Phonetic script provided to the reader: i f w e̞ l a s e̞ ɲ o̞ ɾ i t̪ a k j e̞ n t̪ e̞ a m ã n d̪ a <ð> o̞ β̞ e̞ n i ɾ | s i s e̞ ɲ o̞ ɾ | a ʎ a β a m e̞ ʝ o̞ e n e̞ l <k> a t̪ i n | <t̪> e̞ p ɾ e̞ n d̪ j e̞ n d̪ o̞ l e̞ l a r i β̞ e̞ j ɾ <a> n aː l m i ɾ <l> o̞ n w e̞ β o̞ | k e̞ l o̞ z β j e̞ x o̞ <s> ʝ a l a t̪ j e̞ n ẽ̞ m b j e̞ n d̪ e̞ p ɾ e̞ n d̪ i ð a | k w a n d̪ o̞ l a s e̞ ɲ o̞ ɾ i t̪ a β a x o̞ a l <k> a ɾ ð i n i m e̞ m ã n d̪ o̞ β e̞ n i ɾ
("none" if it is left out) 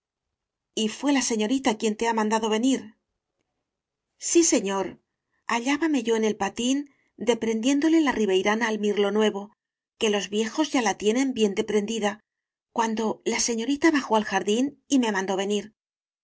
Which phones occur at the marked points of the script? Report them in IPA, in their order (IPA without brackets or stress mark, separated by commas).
ð, p, d̪, a, l, z, x